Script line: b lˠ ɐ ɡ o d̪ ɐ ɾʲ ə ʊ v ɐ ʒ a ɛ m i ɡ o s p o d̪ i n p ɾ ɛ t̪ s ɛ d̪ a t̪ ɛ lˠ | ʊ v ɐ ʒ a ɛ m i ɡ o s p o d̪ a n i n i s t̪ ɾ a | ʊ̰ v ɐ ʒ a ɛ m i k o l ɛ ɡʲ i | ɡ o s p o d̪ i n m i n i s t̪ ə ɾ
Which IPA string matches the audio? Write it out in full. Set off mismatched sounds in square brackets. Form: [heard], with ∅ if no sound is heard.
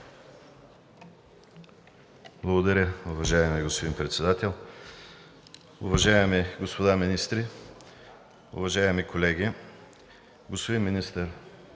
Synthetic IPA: b lˠ ɐ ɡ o d̪ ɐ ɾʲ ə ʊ v ɐ ʒ a ɛ m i ɡ o s p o d̪ i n p ɾ ɛ t̪ s ɛ d̪ a t̪ ɛ lˠ | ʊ v ɐ ʒ a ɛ m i ɡ o s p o d̪ a [m] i n i s t̪ ɾ [i] | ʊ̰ v ɐ ʒ a ɛ m i k o l ɛ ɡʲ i | ɡ o s p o d̪ i n m i n i s t̪ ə ɾ